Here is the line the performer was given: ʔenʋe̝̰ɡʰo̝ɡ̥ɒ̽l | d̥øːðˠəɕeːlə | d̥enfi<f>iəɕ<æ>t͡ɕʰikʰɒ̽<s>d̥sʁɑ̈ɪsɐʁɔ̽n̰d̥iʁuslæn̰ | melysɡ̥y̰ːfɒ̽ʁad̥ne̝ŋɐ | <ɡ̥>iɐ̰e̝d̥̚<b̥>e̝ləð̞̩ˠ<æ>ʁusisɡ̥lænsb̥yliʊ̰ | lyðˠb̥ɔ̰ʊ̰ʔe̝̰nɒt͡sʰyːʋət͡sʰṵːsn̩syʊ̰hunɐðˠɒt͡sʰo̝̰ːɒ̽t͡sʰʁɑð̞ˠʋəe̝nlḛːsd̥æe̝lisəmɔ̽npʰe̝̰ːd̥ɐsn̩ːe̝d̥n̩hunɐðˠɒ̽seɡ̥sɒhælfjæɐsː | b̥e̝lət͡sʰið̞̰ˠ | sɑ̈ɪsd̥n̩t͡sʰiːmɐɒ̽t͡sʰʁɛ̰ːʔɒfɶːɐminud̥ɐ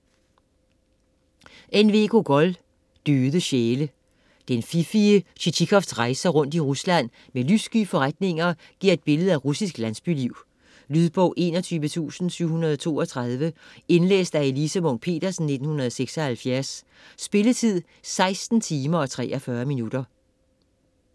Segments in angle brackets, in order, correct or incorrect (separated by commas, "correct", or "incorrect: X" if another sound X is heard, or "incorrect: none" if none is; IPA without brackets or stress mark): correct, incorrect: i, incorrect: f, correct, correct, correct